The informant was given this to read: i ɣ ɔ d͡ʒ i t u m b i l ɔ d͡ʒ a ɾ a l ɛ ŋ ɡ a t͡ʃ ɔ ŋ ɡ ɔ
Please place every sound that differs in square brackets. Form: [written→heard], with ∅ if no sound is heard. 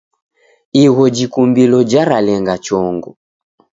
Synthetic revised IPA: i ɣ ɔ d͡ʒ i [t→k] u m b i l ɔ d͡ʒ a ɾ a l ɛ ŋ ɡ a t͡ʃ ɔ ŋ ɡ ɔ